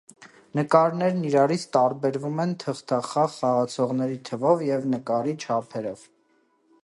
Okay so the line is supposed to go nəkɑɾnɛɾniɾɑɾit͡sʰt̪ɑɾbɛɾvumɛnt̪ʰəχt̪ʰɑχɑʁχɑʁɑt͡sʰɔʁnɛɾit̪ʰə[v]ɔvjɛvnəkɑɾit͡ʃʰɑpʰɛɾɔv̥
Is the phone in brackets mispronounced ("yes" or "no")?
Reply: no